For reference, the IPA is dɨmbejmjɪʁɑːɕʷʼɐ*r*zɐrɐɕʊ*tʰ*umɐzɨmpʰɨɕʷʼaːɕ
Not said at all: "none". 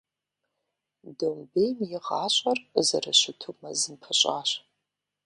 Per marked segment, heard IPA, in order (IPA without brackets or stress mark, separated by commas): r, tʰ